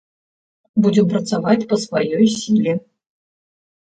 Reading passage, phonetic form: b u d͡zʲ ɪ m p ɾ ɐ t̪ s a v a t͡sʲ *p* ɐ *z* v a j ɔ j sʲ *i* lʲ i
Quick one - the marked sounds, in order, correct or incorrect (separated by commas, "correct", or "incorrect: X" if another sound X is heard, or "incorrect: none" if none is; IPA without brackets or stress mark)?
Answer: correct, incorrect: s, correct